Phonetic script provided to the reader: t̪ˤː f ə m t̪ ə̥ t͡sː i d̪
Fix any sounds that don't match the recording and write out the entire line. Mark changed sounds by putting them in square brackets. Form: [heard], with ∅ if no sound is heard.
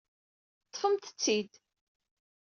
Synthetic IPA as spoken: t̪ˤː f ə m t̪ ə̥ t͡sː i d̪